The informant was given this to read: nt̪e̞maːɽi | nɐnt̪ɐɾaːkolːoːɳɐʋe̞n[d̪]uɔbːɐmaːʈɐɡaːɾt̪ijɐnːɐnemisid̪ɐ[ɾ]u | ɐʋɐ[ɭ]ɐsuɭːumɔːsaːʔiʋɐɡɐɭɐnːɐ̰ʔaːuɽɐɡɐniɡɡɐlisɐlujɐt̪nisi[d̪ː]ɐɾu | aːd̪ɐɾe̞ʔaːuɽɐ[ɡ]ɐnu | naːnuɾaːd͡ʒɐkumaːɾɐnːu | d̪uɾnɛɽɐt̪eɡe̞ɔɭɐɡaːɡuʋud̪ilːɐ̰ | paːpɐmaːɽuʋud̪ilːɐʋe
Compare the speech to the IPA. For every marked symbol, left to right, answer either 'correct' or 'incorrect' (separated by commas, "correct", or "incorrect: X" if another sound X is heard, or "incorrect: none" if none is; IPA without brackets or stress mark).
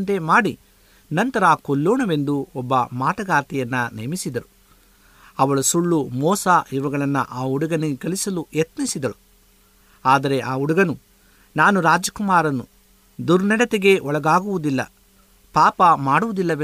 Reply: correct, correct, correct, incorrect: d̪, correct